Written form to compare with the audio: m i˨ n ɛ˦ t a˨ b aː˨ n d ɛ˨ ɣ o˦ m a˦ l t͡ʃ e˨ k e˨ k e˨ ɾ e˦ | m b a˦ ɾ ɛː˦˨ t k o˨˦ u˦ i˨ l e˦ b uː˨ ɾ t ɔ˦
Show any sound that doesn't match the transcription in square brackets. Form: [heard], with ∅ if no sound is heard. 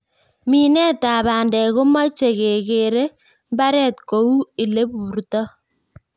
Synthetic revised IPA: m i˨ n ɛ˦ t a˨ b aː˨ n d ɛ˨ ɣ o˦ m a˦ [∅] t͡ʃ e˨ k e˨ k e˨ ɾ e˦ | m b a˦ ɾ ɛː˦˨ t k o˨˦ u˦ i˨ l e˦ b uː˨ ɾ t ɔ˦